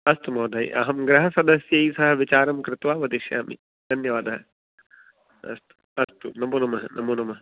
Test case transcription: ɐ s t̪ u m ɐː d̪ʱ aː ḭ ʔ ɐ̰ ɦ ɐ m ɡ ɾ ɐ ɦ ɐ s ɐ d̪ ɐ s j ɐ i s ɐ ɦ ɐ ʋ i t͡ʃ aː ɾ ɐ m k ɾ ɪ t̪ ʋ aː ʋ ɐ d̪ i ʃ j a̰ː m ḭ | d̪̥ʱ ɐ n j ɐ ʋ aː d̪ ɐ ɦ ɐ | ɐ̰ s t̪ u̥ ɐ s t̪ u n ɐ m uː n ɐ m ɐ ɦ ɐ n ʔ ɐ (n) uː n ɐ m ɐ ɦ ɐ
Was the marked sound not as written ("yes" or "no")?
yes